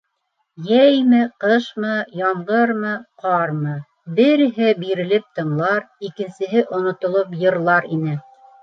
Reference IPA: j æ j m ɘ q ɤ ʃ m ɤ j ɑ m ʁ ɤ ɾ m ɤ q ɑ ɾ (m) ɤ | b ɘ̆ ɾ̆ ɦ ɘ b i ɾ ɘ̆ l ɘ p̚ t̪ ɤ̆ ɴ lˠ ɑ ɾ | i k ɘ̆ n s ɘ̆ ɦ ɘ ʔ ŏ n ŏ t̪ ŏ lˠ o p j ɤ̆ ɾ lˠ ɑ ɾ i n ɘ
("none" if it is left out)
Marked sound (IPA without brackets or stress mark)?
m